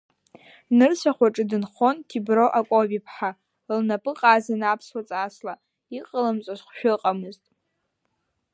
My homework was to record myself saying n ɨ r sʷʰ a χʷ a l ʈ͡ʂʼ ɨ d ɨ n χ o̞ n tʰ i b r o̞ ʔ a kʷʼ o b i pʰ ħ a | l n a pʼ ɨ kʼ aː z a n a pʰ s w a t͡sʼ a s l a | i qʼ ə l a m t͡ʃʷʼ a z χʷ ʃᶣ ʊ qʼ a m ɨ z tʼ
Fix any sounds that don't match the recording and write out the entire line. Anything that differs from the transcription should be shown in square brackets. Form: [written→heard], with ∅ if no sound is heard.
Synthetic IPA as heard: n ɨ r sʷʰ a χʷ a [l→∅] ʈ͡ʂʼ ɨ d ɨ n χ o̞ n tʰ i b r o̞ ʔ a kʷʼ o b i pʰ ħ a | l n a pʼ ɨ [kʼ→qʼ] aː z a n a pʰ s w a t͡sʼ a s l a | i qʼ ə l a m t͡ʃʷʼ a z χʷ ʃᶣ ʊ qʼ a m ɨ z tʼ